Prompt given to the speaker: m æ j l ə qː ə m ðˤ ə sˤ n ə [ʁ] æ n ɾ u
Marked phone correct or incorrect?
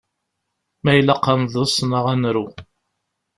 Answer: correct